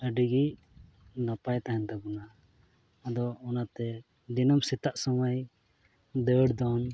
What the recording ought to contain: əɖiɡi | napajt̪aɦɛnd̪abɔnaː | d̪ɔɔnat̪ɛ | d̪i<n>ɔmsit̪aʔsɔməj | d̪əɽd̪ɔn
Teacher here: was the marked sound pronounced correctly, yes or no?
yes